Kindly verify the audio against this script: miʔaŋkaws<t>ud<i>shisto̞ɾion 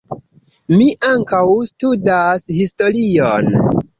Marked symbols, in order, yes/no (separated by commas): yes, no